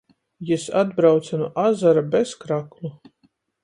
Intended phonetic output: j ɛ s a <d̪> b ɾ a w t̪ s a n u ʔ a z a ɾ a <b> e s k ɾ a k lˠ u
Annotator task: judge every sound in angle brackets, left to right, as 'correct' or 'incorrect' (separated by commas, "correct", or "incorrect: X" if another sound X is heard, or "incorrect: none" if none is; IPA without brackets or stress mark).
correct, correct